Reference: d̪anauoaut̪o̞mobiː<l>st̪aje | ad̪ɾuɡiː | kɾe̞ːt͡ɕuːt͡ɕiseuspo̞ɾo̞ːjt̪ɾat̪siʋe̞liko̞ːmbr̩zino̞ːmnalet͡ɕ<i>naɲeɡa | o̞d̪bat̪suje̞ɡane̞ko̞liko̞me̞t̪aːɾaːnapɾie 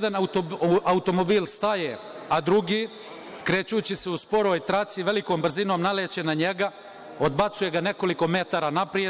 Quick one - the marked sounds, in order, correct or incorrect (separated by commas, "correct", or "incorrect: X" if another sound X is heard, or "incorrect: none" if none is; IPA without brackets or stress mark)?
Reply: correct, incorrect: e